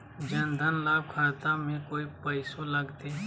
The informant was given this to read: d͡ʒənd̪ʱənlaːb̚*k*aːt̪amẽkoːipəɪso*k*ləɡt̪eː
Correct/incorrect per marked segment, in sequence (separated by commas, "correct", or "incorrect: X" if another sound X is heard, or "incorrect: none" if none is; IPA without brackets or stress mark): incorrect: kʰ, incorrect: none